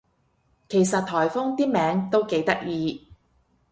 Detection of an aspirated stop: present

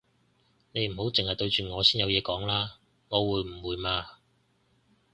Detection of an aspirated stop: absent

